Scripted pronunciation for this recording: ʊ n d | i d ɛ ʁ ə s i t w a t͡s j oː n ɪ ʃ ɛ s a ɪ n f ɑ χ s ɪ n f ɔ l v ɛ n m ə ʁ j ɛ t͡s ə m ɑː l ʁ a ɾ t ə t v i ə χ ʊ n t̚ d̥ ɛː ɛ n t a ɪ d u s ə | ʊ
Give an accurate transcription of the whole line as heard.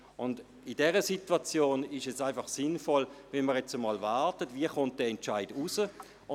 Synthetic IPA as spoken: ʊ n d | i d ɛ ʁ ə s i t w a t͡s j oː n ɪ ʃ ɛ s a ɪ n f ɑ χ s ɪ n f ɔ l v ɛ n m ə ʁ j ɛ t͡s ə m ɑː l v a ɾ t ə t v i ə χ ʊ n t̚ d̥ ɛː ɛ n t͡ʃ a ɪ d u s ə | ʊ